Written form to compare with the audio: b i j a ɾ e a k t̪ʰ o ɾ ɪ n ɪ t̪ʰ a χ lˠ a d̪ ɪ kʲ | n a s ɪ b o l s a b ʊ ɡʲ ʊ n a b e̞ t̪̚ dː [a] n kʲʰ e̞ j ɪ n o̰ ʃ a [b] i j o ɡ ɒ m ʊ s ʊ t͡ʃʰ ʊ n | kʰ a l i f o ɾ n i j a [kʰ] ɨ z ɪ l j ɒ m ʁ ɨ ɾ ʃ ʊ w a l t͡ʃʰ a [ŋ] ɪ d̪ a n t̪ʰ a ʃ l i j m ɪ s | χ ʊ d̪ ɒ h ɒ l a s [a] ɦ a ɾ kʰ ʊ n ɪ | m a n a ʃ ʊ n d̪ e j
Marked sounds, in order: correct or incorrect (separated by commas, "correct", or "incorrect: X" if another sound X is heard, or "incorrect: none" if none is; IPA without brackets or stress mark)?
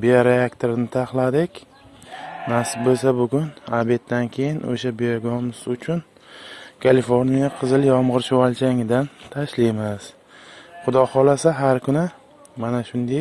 correct, correct, incorrect: qʰ, correct, correct